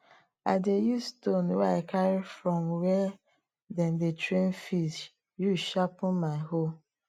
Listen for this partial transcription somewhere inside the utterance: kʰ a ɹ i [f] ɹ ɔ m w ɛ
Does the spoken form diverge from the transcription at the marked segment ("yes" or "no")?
no